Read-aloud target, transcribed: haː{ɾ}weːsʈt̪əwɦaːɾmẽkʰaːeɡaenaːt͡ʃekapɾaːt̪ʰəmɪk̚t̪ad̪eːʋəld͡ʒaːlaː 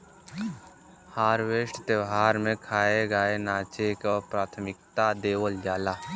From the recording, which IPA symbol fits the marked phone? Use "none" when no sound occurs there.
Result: ɾ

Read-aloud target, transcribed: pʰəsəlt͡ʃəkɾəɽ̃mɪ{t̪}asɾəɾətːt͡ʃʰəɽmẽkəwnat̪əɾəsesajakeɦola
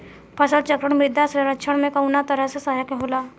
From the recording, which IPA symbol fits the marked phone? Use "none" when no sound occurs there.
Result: d̪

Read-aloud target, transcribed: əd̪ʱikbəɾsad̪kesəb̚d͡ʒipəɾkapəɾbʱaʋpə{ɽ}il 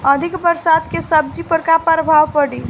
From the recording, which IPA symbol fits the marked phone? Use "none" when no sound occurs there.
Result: ɽ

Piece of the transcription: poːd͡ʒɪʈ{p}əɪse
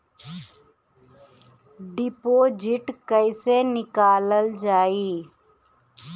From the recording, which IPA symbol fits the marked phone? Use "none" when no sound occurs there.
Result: k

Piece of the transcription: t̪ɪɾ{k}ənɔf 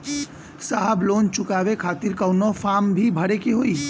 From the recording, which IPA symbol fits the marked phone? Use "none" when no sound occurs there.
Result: k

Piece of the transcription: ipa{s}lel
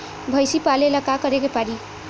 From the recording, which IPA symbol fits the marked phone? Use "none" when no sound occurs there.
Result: none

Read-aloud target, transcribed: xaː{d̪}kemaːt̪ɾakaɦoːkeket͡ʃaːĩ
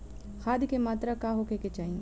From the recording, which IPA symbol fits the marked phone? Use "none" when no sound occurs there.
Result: d̪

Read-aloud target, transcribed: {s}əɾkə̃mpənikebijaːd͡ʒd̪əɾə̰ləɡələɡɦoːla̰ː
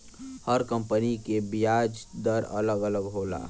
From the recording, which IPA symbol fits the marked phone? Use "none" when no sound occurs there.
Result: h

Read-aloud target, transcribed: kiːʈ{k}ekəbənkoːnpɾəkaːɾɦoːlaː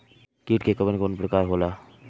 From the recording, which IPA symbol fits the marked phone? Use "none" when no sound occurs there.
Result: k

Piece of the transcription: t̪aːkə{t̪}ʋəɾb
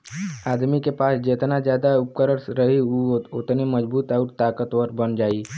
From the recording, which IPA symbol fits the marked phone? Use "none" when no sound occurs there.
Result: t̪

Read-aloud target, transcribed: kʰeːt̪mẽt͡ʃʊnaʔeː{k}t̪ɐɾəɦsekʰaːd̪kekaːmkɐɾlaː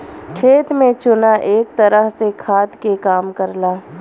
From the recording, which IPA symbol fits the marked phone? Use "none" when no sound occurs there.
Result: k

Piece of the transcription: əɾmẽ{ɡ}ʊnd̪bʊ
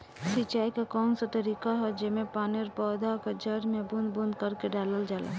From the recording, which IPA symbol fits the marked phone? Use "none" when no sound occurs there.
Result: b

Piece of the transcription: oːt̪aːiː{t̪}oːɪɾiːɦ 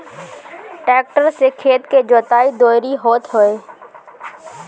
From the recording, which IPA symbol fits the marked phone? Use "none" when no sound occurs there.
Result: d̪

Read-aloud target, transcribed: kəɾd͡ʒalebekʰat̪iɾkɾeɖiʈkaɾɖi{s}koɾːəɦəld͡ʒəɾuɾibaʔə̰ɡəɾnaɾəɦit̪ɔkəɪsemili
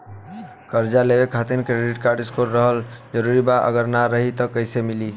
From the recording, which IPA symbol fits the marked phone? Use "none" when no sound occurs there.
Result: s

